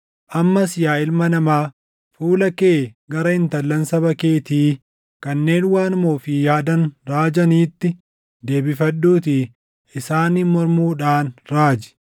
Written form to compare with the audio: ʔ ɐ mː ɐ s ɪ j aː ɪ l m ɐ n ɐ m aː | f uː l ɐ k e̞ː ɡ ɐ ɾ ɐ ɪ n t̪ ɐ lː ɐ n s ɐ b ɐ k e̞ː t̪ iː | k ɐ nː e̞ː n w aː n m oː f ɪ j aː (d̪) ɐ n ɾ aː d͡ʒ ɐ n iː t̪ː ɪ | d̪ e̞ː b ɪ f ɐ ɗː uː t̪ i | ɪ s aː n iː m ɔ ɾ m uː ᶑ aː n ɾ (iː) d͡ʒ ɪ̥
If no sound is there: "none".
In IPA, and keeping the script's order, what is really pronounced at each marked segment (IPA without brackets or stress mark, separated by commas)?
d̪, aː